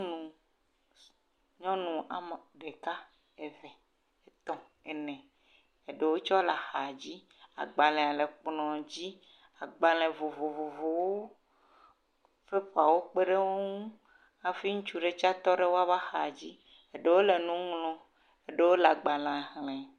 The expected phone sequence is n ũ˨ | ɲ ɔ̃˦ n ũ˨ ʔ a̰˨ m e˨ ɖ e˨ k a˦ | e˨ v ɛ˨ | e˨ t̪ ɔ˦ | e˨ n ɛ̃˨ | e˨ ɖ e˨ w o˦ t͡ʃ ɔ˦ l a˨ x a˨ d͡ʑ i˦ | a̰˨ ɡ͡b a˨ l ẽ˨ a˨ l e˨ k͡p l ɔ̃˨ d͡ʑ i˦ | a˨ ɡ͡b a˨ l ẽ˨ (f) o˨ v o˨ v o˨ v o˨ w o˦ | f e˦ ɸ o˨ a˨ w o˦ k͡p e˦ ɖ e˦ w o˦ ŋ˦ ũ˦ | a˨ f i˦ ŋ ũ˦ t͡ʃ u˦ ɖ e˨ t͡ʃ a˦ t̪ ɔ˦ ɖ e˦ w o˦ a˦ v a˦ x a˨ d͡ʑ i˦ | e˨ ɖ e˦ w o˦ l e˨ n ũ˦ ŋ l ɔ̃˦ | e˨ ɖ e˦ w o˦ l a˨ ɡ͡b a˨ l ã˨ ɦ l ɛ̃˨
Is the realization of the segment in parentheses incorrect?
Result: yes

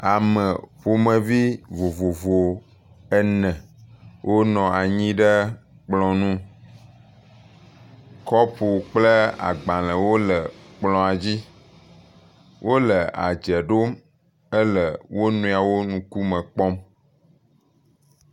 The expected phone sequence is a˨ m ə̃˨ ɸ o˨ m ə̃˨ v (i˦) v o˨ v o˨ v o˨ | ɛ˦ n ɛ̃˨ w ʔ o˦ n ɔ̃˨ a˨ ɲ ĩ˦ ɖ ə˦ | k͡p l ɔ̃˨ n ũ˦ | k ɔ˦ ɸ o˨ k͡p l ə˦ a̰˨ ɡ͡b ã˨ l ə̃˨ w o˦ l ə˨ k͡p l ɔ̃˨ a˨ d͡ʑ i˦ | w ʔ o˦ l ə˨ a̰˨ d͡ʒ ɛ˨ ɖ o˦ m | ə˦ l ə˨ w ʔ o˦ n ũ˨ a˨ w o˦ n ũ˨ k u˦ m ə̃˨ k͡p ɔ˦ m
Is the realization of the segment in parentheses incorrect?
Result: no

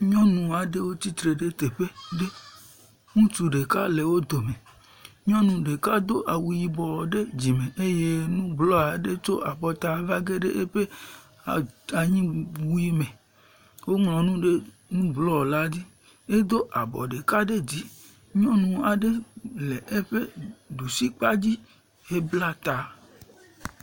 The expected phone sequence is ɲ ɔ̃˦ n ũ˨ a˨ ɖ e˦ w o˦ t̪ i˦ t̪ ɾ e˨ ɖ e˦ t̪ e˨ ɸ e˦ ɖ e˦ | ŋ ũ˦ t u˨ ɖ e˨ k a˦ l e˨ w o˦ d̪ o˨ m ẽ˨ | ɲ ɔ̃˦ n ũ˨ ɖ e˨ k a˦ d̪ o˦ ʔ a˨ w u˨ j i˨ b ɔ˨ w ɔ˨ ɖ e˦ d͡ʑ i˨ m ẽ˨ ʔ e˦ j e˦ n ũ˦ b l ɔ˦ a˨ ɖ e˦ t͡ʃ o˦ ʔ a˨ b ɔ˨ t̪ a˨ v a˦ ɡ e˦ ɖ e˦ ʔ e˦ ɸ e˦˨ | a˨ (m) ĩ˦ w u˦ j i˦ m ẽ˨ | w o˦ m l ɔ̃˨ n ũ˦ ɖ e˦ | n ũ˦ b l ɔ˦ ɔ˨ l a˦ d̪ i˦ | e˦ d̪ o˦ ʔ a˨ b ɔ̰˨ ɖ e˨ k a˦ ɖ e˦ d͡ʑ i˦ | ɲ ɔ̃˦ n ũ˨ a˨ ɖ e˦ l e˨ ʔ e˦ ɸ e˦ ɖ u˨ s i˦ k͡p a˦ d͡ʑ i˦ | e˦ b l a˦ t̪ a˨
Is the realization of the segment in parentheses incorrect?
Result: yes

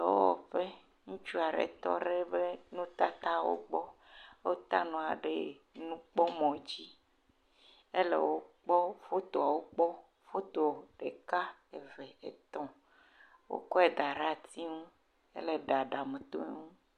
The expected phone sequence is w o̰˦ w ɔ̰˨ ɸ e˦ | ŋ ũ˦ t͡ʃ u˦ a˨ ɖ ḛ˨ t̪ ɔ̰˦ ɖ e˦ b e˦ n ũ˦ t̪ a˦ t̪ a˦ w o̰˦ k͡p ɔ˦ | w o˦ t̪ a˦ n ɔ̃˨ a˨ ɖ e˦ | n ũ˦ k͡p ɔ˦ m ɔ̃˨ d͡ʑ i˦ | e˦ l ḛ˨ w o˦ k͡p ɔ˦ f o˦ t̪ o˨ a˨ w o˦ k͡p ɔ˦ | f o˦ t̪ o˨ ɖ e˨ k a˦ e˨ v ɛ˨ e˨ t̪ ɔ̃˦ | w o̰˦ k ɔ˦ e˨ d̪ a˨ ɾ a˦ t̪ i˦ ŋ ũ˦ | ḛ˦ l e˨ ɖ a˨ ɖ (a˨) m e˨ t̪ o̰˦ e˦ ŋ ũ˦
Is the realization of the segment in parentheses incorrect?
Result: no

